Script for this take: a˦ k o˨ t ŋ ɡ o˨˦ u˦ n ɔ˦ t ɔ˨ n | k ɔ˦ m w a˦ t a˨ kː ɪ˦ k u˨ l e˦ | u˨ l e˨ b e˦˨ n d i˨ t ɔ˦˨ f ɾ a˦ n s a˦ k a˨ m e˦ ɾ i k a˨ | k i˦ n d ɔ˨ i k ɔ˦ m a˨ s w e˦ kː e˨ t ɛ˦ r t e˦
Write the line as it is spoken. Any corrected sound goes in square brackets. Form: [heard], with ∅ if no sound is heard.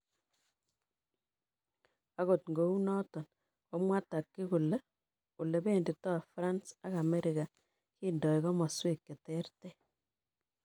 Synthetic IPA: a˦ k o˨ t ŋ ɡ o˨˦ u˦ n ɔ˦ t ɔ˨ n | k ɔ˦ m w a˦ t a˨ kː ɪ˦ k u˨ l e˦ | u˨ l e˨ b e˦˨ n d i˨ t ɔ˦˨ f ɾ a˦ n s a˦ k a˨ m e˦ ɾ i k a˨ | k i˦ n d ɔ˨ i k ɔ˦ m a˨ s w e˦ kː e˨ t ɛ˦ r t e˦

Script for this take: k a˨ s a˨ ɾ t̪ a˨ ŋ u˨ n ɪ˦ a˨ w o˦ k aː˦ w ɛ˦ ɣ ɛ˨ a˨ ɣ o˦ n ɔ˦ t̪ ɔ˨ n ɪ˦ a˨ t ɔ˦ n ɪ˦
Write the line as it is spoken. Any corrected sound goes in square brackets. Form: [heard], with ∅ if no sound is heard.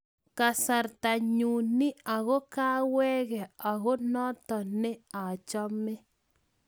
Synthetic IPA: k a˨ s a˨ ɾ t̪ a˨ [ɲ] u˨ n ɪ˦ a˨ [ɣ] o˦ k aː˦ w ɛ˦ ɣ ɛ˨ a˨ ɣ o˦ n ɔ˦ t̪ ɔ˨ n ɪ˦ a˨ [t͡ʃ] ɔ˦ [m] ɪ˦

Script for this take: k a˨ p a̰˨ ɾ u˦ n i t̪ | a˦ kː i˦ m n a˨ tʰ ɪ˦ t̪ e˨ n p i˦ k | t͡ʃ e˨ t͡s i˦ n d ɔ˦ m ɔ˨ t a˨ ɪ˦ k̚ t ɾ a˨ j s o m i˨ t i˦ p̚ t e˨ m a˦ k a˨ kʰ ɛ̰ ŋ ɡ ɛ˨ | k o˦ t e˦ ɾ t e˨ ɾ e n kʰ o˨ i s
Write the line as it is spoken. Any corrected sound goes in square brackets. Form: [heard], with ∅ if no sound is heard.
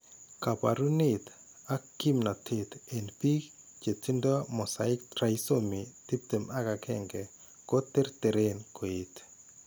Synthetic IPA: k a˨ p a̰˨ ɾ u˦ n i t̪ | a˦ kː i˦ m n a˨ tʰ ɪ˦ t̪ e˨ n p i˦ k | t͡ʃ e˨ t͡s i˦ n d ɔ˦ m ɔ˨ [s] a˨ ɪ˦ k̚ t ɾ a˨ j s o m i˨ t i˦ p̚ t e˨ m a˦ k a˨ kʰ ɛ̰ ŋ ɡ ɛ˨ | k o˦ t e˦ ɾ t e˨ ɾ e n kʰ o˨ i [t]

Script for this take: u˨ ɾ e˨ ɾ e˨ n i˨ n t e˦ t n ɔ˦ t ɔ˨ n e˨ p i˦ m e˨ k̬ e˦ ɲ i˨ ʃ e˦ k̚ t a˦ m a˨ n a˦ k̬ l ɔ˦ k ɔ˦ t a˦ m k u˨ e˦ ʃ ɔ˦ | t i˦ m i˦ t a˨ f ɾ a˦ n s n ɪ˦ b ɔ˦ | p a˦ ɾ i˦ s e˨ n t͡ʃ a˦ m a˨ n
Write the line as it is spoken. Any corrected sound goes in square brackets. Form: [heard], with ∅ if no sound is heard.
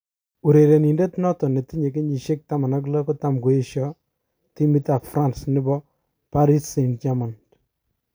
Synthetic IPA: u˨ ɾ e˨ ɾ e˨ n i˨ n [d] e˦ t n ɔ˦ t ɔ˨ n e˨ [t] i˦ [ɲ] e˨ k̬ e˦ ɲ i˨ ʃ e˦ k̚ t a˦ m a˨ n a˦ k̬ l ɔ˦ k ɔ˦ t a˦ m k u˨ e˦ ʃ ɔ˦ | t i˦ m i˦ t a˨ f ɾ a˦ n s n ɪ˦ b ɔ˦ | p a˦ ɾ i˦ s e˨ n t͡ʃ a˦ m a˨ n

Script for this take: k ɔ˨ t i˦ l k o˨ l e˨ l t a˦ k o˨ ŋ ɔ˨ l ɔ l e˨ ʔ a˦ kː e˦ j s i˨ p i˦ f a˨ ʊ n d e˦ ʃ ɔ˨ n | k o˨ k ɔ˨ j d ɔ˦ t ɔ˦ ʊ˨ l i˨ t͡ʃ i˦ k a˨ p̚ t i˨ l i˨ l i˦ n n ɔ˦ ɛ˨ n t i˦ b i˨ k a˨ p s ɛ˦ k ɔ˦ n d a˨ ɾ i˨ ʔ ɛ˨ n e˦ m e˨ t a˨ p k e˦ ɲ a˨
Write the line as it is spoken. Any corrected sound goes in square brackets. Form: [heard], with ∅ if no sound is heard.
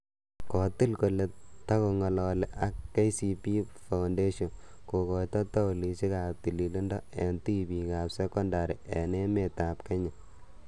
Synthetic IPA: k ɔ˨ t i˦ l k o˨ l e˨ [∅] t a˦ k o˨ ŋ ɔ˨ l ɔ l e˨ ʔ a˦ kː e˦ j s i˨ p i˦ f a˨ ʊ n d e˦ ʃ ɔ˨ n | k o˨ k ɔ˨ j [t] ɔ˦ t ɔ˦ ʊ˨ l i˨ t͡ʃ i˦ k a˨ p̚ t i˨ l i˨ l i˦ n [d] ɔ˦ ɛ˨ n t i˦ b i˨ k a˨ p s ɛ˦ k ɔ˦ n d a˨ ɾ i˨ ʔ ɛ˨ n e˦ m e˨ t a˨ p k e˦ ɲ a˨

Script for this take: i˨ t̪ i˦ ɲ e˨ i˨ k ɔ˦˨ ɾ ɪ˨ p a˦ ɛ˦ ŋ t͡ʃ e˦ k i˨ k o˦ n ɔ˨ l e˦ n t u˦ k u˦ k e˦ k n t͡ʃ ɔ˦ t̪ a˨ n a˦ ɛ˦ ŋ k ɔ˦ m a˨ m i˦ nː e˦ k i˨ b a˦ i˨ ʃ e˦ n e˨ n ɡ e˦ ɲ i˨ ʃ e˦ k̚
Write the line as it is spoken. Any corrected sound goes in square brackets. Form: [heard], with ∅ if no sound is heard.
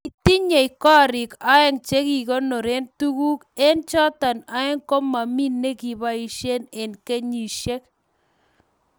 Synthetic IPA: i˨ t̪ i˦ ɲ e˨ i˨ k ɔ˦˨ ɾ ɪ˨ [k] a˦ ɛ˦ ŋ t͡ʃ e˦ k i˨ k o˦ n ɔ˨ [ɾ] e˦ n t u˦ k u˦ k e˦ [∅] n t͡ʃ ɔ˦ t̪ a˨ n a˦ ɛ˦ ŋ k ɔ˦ m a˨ m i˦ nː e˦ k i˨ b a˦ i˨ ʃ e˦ n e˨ n [k] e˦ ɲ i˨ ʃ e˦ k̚

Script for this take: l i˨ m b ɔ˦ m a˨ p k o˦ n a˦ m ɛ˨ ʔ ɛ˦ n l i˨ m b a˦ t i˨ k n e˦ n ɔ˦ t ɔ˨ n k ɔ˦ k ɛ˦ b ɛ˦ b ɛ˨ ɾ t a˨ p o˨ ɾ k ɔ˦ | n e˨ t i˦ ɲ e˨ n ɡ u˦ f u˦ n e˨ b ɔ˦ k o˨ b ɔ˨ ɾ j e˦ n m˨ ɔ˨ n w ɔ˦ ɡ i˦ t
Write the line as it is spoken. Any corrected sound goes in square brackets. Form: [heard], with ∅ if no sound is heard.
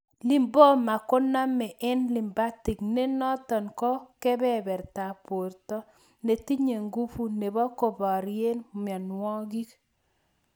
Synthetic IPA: l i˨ m b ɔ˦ m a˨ [∅] k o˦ n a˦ m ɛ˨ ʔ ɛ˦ n l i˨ m b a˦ t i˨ k n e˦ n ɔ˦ t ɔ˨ n k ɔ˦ k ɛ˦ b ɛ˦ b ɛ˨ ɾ t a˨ p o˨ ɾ [t] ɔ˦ | n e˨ t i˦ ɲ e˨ [ŋ] ɡ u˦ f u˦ n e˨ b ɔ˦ k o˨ b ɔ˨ ɾ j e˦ n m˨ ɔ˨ n w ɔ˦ ɡ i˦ [k]

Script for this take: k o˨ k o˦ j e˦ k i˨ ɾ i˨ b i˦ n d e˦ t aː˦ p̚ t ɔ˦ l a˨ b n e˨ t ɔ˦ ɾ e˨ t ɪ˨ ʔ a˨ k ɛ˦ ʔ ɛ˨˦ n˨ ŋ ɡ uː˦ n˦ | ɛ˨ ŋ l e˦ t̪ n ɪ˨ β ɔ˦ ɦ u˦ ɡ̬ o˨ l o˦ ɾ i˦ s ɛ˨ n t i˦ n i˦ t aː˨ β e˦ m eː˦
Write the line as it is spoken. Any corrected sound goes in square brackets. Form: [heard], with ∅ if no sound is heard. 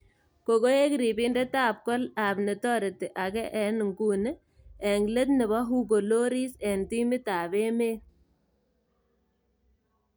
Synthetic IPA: k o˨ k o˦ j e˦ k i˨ ɾ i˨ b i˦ n d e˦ t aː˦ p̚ [k] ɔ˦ l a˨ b n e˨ t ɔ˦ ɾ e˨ t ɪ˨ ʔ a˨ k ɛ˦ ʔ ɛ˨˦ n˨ ŋ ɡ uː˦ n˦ | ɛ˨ ŋ l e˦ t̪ n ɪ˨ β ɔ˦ ɦ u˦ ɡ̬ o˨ l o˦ ɾ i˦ s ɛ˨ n t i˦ [m] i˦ t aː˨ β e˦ m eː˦

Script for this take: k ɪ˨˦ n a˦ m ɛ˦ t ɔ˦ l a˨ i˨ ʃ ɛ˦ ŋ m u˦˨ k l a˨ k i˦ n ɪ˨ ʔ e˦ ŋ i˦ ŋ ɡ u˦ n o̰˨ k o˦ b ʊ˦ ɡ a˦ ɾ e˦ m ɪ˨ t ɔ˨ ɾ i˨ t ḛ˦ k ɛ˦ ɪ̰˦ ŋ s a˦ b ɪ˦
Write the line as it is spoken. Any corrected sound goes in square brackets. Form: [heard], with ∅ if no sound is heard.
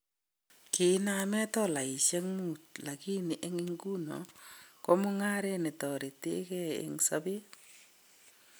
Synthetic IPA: k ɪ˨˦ n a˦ m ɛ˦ t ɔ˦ l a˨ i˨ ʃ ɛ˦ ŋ m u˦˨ [t] l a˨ k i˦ n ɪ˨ ʔ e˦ ŋ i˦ ŋ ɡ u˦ n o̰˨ k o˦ [m] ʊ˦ [ŋ] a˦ ɾ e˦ [n] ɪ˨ t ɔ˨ ɾ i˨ t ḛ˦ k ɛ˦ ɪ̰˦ ŋ s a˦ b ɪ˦

